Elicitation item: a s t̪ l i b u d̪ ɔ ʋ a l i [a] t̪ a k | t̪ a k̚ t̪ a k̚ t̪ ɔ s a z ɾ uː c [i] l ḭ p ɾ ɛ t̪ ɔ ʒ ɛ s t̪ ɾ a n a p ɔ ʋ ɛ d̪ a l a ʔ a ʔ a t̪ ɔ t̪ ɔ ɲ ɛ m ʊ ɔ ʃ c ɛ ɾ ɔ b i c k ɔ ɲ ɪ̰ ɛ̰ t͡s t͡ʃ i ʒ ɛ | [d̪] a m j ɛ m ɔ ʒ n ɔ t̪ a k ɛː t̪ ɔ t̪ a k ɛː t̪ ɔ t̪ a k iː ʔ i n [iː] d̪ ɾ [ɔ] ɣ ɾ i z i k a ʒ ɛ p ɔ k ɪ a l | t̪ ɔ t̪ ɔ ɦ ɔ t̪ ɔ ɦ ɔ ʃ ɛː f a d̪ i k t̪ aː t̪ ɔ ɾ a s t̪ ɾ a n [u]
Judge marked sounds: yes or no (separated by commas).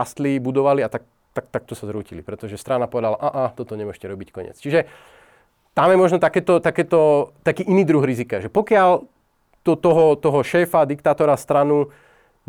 yes, yes, no, yes, no, yes